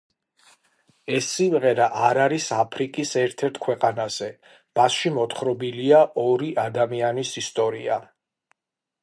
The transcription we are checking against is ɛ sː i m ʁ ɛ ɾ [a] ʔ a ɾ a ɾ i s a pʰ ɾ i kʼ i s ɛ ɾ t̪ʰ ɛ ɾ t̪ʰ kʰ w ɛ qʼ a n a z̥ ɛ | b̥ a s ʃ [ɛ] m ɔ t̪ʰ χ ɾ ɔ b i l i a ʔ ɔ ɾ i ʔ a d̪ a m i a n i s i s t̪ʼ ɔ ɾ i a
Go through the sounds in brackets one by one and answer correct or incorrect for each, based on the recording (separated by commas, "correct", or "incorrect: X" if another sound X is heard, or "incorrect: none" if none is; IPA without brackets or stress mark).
correct, incorrect: i